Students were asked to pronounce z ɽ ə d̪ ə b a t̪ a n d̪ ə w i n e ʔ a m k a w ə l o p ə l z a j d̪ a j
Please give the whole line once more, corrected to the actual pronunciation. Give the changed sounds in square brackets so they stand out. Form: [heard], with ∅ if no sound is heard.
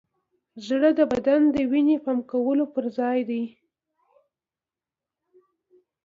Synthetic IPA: z ɽ ə d̪ ə b a [d̪] a n d̪ ə w i n e [p] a m k a w ə l o p ə [ɾ] z [ɑ] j d̪ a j